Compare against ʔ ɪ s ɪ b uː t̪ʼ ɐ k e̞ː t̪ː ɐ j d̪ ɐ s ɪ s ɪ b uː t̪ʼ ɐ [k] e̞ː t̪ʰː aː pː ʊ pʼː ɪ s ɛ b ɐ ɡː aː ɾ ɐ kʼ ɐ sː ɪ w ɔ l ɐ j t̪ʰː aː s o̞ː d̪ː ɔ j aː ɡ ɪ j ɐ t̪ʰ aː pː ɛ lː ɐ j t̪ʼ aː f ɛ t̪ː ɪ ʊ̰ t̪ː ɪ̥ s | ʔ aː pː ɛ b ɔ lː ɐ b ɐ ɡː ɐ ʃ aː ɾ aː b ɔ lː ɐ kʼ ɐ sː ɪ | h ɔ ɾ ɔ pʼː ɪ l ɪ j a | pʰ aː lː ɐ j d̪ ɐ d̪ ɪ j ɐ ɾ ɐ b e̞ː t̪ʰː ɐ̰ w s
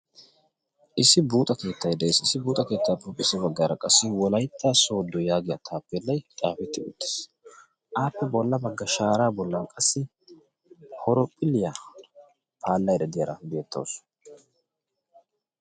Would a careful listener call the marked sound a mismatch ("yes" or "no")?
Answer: no